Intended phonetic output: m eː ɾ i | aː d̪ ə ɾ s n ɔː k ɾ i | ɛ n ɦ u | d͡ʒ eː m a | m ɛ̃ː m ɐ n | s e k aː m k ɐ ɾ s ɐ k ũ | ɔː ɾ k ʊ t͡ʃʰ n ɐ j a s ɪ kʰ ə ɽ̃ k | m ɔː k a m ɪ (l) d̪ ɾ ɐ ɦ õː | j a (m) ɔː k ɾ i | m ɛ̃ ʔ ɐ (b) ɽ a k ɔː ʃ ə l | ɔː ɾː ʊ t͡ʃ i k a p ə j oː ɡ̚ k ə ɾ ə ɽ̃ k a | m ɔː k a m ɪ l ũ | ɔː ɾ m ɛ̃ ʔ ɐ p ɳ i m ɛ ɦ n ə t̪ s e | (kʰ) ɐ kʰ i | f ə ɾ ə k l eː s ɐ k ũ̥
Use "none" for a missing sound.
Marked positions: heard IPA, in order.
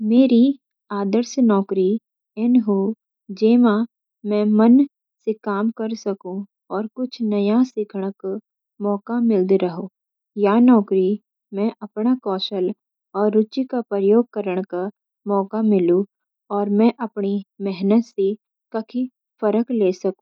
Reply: l, n, p, k

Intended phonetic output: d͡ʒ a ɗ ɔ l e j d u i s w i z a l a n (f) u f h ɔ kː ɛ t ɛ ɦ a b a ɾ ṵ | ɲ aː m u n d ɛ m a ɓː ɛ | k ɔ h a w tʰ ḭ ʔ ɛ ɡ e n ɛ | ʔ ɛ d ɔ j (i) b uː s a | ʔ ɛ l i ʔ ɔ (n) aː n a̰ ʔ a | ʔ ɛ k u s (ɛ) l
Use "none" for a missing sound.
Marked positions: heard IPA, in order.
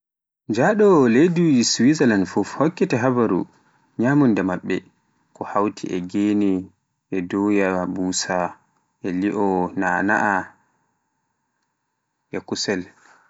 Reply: f, a, n, ɛ

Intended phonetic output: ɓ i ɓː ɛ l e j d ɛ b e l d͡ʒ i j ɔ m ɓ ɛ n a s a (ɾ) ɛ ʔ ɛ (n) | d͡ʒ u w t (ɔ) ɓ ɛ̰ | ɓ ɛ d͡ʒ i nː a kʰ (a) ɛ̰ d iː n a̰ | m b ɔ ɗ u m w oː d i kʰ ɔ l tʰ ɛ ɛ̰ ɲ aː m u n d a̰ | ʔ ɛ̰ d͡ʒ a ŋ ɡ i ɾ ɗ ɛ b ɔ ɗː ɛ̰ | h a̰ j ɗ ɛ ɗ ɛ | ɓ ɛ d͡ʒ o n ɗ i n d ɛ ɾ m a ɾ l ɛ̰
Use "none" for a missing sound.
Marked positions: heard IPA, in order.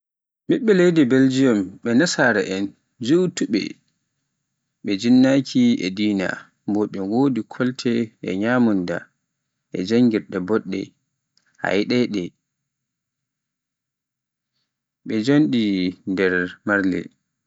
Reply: ɾ, n, u, i

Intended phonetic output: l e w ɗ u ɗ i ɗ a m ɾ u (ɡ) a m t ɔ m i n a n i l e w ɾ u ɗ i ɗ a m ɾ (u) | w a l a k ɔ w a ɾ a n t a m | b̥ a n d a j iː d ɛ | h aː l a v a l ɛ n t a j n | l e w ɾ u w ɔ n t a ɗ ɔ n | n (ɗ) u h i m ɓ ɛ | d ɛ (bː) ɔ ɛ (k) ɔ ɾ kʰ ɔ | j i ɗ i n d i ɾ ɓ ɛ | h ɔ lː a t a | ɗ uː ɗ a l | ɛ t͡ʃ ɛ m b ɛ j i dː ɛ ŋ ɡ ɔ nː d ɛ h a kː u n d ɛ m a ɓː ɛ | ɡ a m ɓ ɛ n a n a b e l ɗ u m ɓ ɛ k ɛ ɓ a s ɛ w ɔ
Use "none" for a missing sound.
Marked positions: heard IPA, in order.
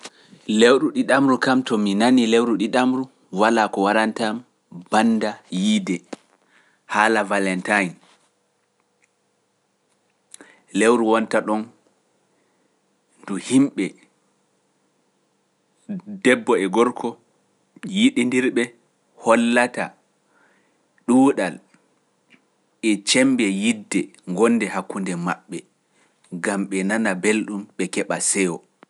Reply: k, u, d, bː, ɡ

